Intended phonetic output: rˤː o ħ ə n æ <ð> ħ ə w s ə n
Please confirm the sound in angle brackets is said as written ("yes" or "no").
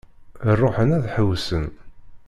yes